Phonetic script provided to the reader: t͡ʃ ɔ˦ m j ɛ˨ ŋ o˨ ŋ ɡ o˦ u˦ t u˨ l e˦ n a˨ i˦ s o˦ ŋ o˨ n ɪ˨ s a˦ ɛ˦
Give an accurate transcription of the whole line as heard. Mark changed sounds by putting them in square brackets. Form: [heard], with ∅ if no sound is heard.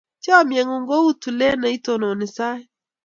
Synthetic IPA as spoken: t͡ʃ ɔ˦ m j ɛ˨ ŋ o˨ ŋ ɡ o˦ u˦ t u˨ l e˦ n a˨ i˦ [t] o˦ [n] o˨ n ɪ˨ s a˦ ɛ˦